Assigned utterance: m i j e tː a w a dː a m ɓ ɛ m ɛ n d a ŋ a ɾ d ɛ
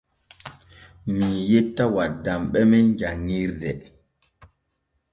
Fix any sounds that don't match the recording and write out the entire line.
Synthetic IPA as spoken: m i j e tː a w a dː a m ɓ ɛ m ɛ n d͡ʒ a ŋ i ɾ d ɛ